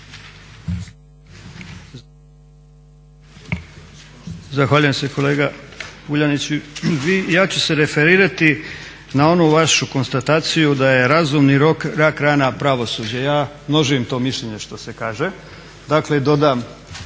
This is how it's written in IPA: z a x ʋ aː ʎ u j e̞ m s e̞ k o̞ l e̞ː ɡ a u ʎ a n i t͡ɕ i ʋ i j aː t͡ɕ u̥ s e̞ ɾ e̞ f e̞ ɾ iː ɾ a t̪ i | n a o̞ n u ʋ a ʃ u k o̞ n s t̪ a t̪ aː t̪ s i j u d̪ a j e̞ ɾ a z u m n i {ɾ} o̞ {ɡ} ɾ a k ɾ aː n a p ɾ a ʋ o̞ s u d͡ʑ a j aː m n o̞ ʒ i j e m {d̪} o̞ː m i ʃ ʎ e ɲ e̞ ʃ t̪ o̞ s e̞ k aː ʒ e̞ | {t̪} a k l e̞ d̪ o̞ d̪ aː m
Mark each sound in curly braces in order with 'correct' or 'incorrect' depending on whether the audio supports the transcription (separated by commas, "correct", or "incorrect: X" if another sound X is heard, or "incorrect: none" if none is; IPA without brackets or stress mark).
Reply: correct, incorrect: k, incorrect: t̪, incorrect: d̪